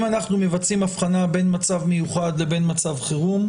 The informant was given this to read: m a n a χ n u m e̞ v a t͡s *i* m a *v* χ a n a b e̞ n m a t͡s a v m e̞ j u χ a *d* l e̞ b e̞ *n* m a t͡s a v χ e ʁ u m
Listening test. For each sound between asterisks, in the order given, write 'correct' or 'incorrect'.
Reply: correct, incorrect: f, correct, correct

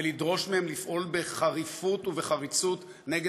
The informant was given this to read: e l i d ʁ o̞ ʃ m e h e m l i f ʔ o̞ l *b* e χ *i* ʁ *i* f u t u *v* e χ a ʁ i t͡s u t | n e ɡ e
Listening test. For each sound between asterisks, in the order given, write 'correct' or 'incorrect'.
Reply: correct, incorrect: a, correct, correct

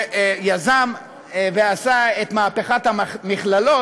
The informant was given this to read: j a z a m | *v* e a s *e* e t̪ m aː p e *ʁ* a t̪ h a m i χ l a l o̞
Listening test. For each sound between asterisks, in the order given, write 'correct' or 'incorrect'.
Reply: correct, incorrect: a, incorrect: χ

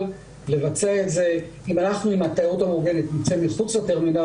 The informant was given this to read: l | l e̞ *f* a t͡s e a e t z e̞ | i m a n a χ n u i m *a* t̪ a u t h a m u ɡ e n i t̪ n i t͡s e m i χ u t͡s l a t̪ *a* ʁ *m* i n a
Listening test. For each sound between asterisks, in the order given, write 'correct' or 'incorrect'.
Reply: incorrect: v, correct, incorrect: e, correct

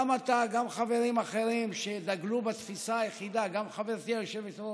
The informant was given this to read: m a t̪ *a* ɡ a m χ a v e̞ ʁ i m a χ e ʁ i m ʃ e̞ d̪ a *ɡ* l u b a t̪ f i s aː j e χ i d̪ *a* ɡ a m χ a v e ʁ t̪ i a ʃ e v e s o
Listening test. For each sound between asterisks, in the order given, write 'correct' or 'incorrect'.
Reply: correct, correct, correct

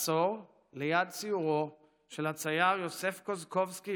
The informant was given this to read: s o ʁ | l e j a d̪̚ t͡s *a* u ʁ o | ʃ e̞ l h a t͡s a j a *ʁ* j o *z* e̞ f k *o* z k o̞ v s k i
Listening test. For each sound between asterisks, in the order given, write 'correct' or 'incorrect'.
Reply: incorrect: i, correct, incorrect: s, correct

